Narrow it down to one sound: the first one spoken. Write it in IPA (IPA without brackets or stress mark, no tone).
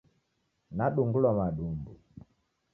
n